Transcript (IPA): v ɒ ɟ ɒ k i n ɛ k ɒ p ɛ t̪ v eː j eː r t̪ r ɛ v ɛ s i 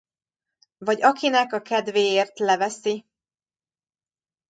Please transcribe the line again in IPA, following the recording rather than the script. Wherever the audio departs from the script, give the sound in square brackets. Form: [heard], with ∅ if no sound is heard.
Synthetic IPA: v ɒ ɟ ɒ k i n ɛ k ɒ [k] ɛ [d̪] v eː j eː r t̪ [l] ɛ v ɛ s i